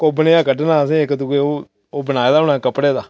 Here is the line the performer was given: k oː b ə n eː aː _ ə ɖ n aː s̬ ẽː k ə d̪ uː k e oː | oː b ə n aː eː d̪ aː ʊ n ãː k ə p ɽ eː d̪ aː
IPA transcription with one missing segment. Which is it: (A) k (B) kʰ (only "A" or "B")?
A